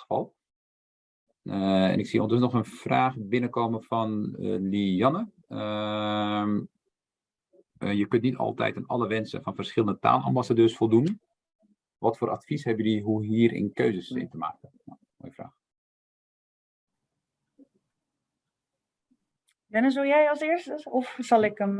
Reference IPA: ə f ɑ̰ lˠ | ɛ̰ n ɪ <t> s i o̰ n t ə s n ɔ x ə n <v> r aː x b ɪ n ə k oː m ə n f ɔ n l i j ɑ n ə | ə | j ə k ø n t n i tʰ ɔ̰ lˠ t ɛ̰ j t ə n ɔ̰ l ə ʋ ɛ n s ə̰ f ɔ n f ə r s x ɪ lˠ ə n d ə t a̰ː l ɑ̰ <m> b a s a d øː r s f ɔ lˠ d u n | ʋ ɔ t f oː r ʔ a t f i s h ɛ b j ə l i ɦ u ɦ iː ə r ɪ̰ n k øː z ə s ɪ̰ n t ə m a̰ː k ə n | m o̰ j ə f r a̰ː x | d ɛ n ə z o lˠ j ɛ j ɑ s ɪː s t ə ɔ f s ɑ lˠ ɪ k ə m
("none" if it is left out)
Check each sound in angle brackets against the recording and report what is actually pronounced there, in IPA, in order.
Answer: k, f, m

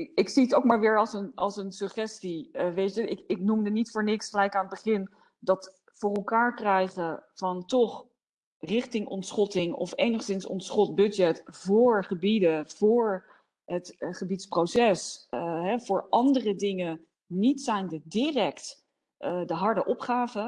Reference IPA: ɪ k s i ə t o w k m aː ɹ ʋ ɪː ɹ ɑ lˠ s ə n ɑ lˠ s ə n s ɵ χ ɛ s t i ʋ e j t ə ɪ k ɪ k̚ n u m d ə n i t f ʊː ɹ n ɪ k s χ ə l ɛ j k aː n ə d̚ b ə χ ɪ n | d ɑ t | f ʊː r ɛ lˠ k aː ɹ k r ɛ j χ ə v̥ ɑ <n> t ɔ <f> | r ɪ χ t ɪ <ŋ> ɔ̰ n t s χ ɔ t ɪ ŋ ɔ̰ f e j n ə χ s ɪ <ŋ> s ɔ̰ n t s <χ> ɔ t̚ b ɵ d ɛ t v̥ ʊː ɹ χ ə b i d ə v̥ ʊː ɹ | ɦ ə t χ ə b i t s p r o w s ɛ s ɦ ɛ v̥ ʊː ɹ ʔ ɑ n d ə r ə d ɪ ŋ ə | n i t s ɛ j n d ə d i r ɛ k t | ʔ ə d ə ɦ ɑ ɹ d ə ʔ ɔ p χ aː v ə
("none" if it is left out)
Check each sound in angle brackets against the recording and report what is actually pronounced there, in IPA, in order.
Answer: n, χ, ŋ, n, χ

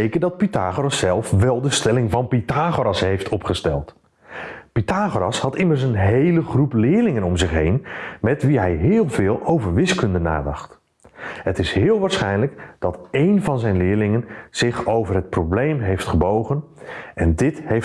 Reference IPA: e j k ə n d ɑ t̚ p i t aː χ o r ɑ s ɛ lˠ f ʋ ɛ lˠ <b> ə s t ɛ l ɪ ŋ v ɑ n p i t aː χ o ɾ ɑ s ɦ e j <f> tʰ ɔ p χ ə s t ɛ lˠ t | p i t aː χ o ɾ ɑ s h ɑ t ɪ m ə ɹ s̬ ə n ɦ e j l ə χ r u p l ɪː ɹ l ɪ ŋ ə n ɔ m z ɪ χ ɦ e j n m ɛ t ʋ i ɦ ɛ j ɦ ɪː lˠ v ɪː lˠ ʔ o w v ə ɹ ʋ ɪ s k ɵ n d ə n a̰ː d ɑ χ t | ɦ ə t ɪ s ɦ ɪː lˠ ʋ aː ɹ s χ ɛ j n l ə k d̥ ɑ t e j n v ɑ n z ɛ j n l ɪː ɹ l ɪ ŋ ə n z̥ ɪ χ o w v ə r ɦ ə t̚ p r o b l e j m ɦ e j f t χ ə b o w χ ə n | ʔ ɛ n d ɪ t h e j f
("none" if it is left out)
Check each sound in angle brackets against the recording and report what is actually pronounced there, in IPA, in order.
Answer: d, f

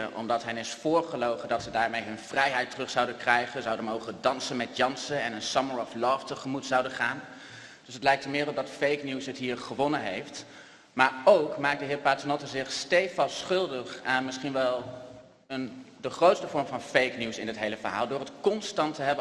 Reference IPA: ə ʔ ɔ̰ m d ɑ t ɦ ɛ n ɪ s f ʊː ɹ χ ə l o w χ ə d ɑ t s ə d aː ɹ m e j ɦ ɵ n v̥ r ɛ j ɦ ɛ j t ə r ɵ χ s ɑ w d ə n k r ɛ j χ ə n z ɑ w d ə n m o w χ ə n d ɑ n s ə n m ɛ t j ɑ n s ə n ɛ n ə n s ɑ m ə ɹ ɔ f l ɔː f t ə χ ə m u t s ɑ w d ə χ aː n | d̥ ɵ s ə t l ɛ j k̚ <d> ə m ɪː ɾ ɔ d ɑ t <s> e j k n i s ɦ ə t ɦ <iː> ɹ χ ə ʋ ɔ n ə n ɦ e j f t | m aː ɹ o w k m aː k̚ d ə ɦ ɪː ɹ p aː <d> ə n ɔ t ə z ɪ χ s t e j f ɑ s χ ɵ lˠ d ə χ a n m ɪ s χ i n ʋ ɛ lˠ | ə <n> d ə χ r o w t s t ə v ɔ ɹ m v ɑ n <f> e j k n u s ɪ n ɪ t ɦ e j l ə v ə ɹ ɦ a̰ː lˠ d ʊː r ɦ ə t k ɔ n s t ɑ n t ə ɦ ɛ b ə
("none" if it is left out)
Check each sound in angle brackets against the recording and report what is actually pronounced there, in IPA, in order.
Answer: t, f, iː, t, n, f

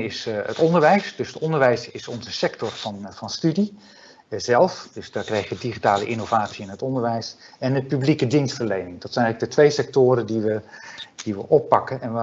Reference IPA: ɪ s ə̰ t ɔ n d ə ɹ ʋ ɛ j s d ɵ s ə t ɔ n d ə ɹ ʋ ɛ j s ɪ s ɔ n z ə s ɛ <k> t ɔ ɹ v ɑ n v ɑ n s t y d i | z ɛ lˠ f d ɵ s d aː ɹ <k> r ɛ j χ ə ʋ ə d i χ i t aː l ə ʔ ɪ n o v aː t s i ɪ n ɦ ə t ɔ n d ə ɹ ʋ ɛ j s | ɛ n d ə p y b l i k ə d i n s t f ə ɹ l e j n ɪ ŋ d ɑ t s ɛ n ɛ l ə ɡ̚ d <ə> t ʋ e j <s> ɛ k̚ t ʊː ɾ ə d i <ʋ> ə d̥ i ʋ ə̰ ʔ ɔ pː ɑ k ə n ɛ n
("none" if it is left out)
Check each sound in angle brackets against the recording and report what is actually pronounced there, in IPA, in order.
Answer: k, k, ə, s, ʋ

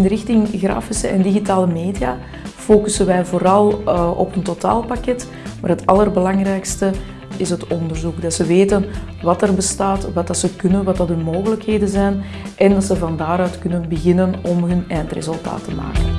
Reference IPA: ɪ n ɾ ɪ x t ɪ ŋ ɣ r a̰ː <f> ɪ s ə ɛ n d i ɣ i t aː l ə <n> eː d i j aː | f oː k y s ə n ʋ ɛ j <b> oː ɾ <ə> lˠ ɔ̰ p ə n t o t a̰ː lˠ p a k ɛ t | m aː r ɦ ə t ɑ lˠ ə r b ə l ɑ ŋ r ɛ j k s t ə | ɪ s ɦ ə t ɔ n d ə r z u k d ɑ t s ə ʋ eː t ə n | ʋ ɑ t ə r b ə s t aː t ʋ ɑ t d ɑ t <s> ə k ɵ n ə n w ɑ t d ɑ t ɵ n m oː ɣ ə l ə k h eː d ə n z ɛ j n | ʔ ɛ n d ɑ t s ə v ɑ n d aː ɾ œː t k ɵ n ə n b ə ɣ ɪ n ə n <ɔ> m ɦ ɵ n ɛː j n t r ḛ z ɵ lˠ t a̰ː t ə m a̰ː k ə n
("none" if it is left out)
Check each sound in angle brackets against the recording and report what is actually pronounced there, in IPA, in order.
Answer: f, m, v, ɑ, s, ɔ

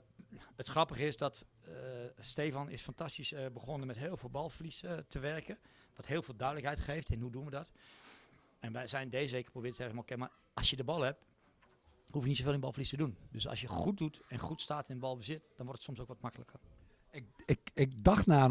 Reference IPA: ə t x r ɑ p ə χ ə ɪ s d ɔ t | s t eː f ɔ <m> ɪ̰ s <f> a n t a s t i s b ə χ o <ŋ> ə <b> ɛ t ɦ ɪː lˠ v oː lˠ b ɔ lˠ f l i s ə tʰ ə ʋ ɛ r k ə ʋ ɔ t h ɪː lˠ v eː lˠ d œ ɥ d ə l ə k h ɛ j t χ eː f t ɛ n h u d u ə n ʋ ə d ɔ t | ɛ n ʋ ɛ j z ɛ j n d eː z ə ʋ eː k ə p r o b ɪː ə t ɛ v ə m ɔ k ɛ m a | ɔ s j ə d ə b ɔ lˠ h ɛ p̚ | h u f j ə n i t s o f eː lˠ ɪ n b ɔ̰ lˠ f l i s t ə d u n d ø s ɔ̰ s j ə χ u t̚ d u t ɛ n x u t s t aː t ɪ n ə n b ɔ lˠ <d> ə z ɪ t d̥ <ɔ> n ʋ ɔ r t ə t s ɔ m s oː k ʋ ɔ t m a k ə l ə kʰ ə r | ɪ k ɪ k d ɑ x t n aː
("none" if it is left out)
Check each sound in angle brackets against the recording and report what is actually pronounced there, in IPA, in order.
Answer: n, f, n, m, b, ɔ

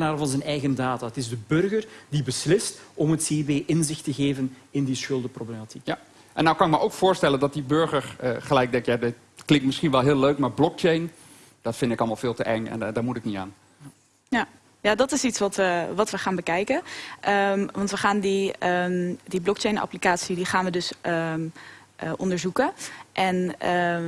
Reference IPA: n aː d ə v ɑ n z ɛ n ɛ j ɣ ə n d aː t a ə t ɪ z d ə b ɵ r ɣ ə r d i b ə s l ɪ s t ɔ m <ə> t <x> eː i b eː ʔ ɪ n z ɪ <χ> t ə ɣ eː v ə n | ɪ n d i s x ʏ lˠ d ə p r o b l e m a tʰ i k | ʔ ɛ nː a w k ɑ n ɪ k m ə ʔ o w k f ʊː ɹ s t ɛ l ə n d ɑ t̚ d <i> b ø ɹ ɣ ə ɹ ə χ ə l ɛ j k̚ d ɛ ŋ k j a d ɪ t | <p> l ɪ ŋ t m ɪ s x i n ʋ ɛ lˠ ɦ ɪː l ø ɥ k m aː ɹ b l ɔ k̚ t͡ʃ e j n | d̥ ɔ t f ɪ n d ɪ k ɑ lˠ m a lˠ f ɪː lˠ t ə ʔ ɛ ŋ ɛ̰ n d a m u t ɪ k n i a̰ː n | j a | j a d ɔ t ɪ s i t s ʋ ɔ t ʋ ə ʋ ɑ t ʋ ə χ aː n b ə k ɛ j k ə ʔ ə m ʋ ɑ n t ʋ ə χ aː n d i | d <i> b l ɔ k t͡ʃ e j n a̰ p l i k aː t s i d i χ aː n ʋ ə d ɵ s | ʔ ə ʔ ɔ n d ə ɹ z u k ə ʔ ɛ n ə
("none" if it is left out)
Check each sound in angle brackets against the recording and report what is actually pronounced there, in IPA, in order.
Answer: ə, s, x, i, k, i

